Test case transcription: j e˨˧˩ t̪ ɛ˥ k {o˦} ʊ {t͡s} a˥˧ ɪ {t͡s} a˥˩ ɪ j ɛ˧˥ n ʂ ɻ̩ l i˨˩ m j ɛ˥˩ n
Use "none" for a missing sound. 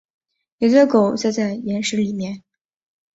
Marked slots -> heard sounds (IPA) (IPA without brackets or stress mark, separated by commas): o˨˩˦, t͡s, t͡s